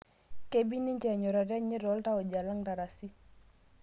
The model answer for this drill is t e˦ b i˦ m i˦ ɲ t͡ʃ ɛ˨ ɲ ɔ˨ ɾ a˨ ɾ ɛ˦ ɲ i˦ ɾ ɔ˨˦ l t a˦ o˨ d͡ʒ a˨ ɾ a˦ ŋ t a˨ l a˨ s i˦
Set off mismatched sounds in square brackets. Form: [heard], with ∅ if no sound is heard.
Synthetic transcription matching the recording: [k] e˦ b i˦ [n] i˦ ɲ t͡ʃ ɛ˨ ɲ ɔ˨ ɾ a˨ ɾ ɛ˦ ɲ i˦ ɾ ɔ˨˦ l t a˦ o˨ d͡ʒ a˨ [l] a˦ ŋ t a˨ [ɾ] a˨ s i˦